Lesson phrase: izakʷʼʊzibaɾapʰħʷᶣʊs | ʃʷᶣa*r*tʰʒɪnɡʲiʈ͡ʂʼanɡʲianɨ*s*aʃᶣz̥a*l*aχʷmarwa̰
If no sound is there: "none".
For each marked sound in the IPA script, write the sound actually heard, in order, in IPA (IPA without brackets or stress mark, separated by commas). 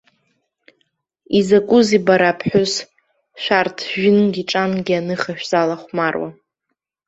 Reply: r, χ, l